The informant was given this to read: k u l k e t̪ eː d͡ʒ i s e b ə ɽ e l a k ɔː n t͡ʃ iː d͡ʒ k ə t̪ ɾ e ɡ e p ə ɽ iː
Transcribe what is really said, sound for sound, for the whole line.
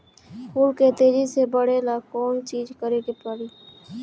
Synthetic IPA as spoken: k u l k e t̪ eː d͡ʒ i s e b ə ɽ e l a k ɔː n t͡ʃ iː d͡ʒ k ə ɾ e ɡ e p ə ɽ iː

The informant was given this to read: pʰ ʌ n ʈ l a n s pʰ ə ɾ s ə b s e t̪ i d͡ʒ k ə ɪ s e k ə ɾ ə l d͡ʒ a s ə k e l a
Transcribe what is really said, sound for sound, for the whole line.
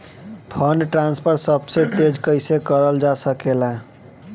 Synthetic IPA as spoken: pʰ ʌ n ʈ ɾ a n s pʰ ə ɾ s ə b s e t̪ e d͡ʒ k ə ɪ s e k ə ɾ ə l d͡ʒ a s ə k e l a

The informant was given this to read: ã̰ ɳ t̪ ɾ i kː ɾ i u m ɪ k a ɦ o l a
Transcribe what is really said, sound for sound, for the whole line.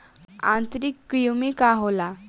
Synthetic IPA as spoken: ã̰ n t̪ ɾ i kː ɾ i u m i k a ɦ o l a

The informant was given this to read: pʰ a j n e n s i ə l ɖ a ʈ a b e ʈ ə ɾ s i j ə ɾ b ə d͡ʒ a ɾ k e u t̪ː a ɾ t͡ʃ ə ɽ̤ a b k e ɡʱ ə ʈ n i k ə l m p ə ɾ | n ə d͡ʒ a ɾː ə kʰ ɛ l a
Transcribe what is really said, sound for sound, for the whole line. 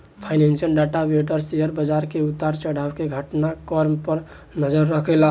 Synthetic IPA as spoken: pʰ a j n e n s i ə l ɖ a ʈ a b e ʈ ə ɾ s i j ə ɾ b ə d͡ʒ a ɾ k e u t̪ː a ɾ t͡ʃ ə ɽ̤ a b k e ɡʱ ə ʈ n a k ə ɾ m p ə ɾ | n ə d͡ʒ ə ɾː ə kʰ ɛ l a

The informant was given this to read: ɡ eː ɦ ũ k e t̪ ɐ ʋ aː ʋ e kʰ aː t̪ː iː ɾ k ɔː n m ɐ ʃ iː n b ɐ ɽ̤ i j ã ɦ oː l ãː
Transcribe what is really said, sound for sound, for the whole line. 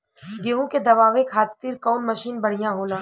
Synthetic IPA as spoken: ɡ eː ɦ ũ k e d̪ ɐ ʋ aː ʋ e kʰ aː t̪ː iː ɾ k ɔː n m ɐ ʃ iː n b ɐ ɽ̤ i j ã ɦ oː l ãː

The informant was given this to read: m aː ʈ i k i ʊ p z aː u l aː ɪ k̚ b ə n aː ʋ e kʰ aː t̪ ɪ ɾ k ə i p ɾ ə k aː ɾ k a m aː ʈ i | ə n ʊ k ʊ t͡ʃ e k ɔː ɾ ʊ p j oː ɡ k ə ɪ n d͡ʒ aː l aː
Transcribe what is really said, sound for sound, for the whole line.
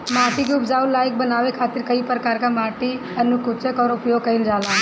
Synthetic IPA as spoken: m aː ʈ i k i ʊ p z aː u l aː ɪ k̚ b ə n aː ʋ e kʰ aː t̪ ɪ ɾ k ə i p ɾ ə k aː ɾ k a m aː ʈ i | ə n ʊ k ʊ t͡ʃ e k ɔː ɾ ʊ p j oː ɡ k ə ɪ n d͡ʒ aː l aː

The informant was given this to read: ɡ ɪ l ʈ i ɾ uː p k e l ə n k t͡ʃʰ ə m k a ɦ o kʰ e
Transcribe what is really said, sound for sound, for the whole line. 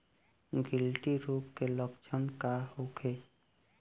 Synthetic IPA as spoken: ɡ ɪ l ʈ i ɾ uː p k e l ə k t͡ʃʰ ə n k a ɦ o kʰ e

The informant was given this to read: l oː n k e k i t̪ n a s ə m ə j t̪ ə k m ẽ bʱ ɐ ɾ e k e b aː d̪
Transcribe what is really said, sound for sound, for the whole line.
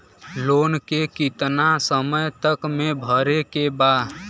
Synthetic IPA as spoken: l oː n k e k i t̪ n a s ə m ə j t̪ ə k m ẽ bʱ ə ɾ e k e b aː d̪

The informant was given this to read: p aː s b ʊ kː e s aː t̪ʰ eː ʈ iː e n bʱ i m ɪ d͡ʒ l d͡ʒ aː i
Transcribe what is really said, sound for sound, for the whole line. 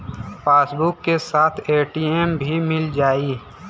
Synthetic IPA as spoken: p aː s b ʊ kː e s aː t̪ʰ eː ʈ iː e m bʱ i m ɪ l d͡ʒ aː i

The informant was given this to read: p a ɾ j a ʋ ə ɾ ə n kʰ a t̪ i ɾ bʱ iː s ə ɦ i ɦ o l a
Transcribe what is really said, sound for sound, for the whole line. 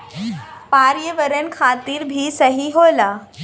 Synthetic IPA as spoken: p a ɾ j ə ʋ ə ɾ ə n kʰ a t̪ iː ɾ bʱ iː s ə ɦ i ɦ o l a

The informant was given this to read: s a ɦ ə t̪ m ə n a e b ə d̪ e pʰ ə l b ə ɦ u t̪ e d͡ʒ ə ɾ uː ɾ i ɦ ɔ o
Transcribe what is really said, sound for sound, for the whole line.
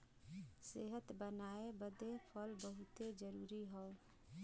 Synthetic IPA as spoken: s e ɦ ə t̪ b ə n a e b ə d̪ e pʰ ə l b ə ɦ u t̪ e d͡ʒ ə ɾ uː ɾ i ɦ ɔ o

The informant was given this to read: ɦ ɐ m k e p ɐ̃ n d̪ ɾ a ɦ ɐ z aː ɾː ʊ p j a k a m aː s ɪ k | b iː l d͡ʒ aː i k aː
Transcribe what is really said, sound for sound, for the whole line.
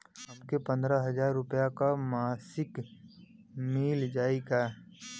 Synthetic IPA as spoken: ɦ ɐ m k e p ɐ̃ n d̪ ɾ a ɦ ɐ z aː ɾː ʊ p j a k a m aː s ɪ k | m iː l d͡ʒ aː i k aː

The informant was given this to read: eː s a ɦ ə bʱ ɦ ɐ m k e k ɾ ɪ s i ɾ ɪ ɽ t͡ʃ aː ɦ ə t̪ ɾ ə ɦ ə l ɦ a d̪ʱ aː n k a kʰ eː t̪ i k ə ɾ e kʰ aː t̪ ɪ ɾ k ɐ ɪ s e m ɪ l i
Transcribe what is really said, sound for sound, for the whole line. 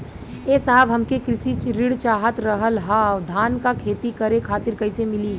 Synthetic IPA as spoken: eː s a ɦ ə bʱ ɦ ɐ m k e k ɾ ɪ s i ɾ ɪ ɽ t͡ʃ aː ɦ ə t̪ ɾ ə ɦ ə l ɦ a d̪ʱ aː n k a kʰ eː t̪ i k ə ɾ e kʰ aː t̪ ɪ ɾ k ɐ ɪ s e m ɪ l i

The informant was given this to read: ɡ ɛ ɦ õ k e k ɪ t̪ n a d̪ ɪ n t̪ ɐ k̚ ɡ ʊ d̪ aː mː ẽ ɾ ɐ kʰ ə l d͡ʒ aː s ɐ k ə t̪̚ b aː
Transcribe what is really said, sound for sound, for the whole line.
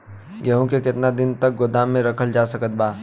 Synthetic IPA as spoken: ɡ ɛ ɦ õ k e k ɪ t̪ n a d̪ ɪ n t̪ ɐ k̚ ɡ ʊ d̪ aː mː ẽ ɾ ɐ kʰ ə l d͡ʒ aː s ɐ k ə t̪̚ b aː

